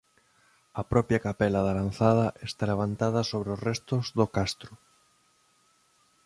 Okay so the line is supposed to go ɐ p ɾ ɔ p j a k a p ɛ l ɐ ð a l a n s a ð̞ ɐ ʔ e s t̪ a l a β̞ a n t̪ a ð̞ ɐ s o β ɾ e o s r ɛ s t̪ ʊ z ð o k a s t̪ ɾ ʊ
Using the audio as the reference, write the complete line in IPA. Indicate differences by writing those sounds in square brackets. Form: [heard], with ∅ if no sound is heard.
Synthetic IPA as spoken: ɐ p ɾ ɔ p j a k a p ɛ l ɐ ð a l a n [θ] a ð̞ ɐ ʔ e s t̪ a l [e] β̞ a n t̪ a ð̞ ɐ s o β ɾ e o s r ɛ s t̪ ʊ z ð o k a s t̪ ɾ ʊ